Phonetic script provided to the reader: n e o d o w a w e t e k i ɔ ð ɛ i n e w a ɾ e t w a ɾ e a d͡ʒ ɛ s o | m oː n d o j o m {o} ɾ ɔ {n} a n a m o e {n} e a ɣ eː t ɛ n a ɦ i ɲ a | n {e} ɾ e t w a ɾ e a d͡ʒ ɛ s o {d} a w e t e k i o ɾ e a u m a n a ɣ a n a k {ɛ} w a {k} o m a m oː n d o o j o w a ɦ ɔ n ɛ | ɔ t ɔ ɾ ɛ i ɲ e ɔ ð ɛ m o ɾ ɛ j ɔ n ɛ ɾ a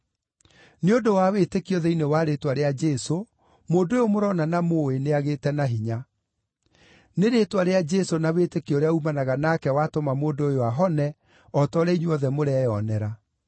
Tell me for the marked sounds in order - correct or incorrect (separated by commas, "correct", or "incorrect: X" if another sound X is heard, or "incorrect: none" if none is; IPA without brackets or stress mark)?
correct, correct, correct, correct, incorrect: n, correct, incorrect: t